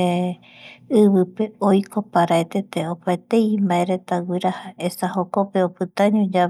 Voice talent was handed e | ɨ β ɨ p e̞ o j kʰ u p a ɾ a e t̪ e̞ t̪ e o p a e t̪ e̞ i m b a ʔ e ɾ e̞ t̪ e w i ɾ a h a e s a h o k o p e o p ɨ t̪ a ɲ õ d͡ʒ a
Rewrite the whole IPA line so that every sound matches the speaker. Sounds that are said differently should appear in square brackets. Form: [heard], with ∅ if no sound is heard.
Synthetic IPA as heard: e | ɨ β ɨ p e̞ o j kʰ [o] p a ɾ a e t̪ e̞ t̪ e o p a e t̪ e̞ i m b a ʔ e ɾ e̞ t̪ [a] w i ɾ a h a e s a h o k o p e o p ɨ t̪ a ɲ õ d͡ʒ a